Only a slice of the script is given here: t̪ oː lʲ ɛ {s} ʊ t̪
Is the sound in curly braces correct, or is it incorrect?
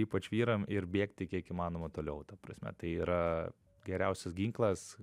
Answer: incorrect